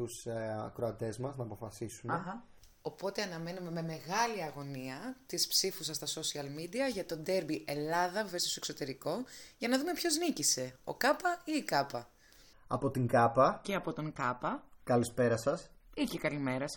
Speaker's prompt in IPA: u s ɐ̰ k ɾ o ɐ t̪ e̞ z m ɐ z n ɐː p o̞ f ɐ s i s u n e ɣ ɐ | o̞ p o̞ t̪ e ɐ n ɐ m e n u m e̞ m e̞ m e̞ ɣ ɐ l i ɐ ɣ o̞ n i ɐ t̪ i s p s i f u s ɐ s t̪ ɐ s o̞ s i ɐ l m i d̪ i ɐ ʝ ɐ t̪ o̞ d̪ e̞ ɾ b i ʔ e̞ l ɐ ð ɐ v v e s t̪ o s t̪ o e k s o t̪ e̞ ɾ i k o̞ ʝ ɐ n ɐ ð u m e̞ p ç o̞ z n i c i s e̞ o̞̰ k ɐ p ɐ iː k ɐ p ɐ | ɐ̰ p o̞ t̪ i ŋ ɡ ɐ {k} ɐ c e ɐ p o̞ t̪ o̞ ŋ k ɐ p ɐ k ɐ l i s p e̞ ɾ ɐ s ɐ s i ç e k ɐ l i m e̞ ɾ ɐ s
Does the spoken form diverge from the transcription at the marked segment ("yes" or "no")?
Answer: yes